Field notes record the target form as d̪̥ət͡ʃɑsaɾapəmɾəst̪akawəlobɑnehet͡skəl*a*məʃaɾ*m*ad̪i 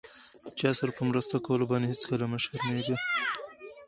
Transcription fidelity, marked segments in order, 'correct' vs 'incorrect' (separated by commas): correct, incorrect